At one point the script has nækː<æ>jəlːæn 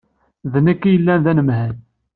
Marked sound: incorrect: i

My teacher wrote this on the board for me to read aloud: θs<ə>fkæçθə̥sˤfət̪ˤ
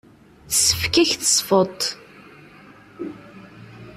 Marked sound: correct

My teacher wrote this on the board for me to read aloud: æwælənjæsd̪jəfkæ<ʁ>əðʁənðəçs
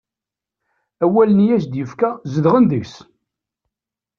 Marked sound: incorrect: z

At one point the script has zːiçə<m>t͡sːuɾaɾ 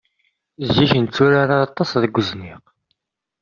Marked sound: incorrect: n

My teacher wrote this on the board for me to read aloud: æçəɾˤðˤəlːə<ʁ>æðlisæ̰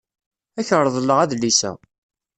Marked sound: correct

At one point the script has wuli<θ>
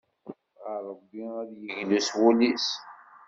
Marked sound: incorrect: s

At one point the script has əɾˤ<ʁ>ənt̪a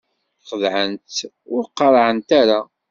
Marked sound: incorrect: ʕ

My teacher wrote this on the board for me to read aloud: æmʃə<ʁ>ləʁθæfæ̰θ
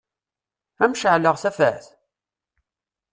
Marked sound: incorrect: ʕ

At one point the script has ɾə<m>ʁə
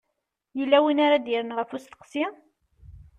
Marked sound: incorrect: n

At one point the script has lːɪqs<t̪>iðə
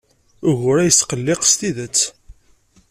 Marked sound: correct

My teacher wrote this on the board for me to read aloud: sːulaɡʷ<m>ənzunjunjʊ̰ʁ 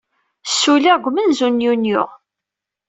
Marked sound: correct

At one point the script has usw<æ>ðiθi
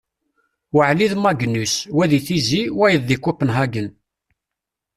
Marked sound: correct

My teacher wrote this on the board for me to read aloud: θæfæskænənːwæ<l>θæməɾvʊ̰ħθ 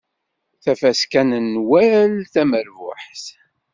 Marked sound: correct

